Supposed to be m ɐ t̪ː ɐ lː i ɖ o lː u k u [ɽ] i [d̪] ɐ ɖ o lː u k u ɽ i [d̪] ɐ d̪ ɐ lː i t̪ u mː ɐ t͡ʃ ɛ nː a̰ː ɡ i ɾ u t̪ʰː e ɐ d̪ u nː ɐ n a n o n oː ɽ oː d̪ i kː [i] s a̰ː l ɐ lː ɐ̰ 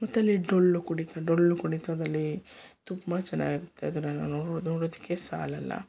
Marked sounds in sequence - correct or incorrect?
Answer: correct, incorrect: t̪, incorrect: t̪, incorrect: e

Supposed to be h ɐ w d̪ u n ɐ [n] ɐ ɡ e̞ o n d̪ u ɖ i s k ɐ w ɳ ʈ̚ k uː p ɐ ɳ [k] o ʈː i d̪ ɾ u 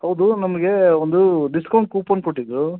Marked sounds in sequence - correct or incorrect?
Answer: incorrect: m, correct

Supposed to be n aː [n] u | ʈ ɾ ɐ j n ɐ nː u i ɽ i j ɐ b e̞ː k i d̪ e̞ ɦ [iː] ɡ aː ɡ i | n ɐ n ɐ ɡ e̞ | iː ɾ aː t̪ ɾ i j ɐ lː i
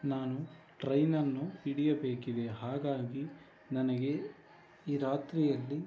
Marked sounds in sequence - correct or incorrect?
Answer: correct, incorrect: aː

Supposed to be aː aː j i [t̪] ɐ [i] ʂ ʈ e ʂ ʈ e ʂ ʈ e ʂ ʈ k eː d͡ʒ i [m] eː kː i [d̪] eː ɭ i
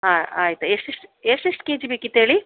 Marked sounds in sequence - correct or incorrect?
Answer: correct, incorrect: e, incorrect: b, incorrect: t̪

